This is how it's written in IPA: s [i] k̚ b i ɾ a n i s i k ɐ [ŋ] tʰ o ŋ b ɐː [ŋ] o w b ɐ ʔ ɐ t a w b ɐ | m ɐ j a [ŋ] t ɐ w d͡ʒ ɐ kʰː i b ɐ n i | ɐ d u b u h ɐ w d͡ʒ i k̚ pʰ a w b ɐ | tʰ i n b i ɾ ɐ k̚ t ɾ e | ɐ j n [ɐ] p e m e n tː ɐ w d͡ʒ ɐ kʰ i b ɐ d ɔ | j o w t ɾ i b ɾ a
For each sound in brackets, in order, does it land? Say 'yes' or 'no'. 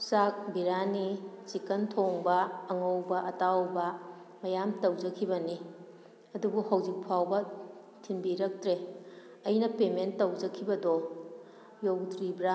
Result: no, no, yes, no, yes

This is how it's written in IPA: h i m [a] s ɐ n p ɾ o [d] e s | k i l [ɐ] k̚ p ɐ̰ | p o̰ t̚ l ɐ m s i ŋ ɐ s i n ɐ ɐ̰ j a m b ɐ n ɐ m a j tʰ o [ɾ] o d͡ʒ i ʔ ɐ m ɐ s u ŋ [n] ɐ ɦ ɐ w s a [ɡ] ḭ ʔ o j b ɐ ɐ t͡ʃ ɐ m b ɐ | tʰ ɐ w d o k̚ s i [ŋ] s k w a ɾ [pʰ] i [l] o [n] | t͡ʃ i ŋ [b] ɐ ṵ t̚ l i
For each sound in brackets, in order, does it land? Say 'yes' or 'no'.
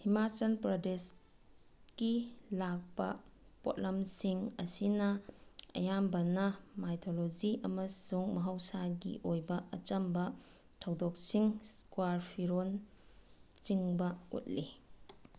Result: yes, yes, no, no, no, yes, yes, yes, no, yes, yes

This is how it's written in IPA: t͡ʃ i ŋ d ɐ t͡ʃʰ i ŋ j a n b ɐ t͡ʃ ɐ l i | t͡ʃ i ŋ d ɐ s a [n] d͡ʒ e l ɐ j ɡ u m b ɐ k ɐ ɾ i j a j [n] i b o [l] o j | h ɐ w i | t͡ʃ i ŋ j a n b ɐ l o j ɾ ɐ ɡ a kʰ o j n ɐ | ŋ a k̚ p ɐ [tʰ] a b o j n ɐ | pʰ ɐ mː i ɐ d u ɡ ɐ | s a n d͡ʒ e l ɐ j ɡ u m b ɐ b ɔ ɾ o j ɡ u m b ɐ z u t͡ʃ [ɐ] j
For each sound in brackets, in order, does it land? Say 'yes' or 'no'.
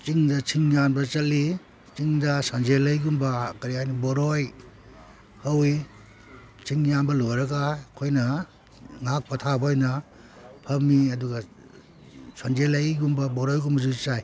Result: yes, yes, no, yes, no

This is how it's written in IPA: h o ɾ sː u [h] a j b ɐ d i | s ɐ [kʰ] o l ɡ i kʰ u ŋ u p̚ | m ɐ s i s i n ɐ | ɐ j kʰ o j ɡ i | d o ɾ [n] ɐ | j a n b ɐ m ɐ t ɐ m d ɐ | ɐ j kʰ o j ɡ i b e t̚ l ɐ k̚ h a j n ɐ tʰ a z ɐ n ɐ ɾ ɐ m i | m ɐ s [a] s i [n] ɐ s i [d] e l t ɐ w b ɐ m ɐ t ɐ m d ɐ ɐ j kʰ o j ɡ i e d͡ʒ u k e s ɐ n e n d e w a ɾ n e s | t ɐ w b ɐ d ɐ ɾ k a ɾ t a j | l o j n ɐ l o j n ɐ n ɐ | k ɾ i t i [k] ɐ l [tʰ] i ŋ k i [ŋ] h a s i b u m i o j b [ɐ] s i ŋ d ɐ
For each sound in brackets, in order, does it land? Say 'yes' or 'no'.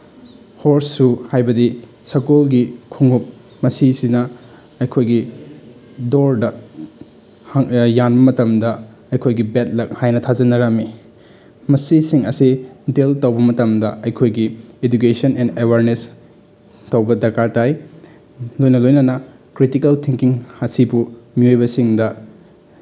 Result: yes, no, no, no, no, yes, yes, yes, yes, yes

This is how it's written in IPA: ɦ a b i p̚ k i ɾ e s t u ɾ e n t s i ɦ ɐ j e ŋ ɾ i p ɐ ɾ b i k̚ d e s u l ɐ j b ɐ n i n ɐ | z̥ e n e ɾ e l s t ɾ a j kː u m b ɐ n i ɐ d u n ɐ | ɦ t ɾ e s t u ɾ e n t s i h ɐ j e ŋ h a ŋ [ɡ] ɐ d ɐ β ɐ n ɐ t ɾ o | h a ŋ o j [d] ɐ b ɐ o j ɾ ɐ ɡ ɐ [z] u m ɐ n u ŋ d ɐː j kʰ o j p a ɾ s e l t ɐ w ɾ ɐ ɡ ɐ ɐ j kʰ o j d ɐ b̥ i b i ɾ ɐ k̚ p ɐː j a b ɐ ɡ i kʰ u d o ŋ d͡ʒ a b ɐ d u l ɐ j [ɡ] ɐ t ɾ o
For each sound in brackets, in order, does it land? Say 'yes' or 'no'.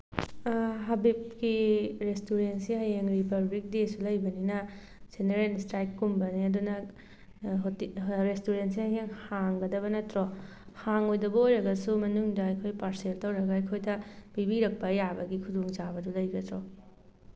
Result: yes, yes, no, yes

